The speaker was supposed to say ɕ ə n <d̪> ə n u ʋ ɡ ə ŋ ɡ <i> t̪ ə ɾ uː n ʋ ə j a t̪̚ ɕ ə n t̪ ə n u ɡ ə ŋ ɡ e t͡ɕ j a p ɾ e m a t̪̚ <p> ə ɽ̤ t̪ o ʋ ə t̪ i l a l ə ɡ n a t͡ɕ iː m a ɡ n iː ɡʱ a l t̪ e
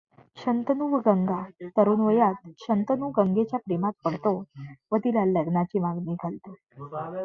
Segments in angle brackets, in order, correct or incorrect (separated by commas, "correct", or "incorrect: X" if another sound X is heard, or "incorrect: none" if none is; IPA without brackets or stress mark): incorrect: t̪, incorrect: a, correct